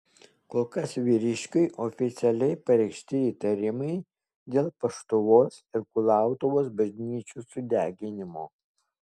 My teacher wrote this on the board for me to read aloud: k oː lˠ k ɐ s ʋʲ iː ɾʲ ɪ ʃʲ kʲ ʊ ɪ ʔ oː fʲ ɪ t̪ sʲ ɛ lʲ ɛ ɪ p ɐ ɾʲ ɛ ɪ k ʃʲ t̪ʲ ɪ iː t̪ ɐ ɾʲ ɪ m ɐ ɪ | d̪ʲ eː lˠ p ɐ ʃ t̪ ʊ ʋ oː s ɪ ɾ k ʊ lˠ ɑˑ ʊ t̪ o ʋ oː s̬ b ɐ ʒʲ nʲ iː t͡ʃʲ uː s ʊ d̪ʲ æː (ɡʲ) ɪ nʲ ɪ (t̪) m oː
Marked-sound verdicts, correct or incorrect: correct, incorrect: none

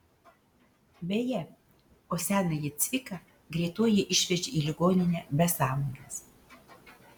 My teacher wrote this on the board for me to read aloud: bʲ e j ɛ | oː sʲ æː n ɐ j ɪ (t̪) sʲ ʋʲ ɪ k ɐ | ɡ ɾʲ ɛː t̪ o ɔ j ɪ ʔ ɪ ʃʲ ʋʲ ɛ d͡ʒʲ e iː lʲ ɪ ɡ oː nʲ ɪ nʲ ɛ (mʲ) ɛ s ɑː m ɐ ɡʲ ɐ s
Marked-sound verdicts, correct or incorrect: correct, incorrect: bʲ

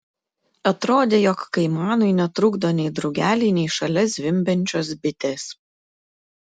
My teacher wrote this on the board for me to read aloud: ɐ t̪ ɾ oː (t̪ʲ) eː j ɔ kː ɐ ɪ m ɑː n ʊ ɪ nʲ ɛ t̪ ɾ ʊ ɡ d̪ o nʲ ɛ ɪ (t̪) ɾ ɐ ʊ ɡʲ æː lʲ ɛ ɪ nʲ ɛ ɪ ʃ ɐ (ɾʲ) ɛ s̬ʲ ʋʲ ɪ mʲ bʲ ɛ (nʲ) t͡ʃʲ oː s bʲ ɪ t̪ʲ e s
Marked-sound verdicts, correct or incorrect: incorrect: d̪ʲ, incorrect: d̪, incorrect: lʲ, correct

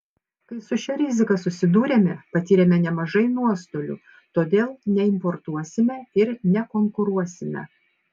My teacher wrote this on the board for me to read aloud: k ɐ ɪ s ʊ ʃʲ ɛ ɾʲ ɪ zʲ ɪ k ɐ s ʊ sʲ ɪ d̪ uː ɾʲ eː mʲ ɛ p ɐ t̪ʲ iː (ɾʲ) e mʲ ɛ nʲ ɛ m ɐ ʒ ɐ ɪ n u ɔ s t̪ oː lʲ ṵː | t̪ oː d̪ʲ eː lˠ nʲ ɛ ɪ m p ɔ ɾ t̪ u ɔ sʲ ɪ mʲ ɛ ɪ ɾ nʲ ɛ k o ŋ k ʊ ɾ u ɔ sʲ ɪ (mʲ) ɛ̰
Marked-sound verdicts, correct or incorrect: correct, correct

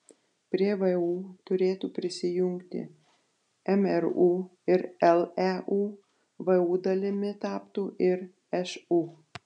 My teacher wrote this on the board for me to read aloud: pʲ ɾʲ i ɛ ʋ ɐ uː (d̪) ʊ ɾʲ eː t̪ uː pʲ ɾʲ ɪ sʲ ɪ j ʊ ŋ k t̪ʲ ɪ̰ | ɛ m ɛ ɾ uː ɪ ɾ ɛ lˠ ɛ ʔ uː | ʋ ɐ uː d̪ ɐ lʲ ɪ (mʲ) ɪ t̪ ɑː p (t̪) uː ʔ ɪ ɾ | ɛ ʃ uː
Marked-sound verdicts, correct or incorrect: incorrect: t̪, correct, correct

